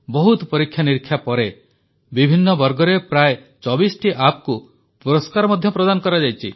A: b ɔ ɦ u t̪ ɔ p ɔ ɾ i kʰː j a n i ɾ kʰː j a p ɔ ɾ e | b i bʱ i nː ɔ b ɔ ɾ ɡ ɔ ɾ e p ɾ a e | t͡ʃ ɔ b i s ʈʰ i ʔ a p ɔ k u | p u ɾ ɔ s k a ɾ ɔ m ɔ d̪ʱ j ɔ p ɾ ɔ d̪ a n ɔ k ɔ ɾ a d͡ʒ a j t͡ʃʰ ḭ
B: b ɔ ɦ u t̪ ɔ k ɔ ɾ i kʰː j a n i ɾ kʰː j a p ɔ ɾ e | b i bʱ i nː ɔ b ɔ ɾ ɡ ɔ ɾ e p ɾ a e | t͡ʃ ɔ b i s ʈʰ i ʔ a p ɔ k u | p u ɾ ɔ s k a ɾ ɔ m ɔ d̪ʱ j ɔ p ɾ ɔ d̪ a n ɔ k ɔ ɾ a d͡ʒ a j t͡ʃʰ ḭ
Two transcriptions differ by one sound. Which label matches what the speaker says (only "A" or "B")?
A